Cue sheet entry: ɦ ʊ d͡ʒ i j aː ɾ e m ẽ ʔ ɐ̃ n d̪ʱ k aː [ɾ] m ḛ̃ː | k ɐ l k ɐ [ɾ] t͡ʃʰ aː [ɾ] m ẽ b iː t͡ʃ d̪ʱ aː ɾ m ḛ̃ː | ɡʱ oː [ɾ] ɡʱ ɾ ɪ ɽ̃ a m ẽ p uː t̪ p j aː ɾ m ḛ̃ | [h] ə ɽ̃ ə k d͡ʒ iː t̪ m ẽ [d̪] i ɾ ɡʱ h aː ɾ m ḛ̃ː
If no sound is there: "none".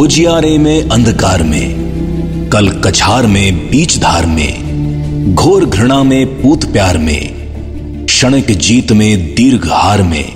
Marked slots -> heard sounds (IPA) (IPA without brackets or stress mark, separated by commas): ɾ, none, ɾ, ɾ, ʃ, d̪